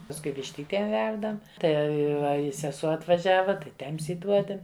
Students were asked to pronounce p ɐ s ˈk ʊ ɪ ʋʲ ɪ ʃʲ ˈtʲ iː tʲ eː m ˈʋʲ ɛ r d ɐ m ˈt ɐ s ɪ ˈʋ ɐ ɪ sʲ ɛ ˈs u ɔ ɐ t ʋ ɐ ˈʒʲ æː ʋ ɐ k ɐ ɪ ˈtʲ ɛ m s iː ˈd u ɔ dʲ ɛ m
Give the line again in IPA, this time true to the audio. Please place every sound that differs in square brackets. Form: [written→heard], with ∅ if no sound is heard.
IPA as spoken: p ɐ s ˈk ʊ ɪ ʋʲ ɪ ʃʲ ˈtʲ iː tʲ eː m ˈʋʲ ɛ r d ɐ m ˈt ɐ [s→∅] ɪ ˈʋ ɐ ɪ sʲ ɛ ˈs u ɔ ɐ t ʋ ɐ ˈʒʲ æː ʋ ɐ [k→t] ɐ ɪ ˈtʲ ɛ m s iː ˈd u ɔ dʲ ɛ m